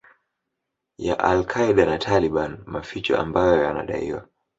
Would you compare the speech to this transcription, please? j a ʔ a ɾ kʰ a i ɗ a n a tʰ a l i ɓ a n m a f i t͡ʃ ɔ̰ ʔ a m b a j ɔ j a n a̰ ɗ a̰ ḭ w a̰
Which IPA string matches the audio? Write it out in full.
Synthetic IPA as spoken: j a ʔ a l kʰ a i ɗ a n a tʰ a l i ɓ a n m a f i t͡ʃ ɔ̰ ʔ a m b a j ɔ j a n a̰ ɗ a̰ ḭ w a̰